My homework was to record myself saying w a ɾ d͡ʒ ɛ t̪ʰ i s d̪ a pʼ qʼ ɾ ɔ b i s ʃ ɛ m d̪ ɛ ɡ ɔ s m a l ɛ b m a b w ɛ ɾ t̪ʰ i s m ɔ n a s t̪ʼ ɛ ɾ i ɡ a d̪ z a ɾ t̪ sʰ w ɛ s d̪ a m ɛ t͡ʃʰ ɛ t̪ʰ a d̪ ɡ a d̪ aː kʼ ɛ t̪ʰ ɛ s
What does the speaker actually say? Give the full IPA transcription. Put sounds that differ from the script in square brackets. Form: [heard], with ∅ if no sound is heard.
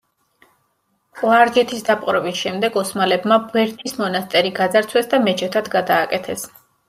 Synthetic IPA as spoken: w a ɾ d͡ʒ ɛ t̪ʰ i s d̪ a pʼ qʼ ɾ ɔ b i s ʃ ɛ m d̪ ɛ ɡ ɔ s m a l ɛ b m a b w ɛ ɾ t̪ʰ i s m ɔ n a s t̪ʼ ɛ ɾ i ɡ a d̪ z a ɾ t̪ sʰ w ɛ s d̪ a m ɛ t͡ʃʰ ɛ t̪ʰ a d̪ ɡ a d̪ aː kʼ ɛ t̪ʰ ɛ s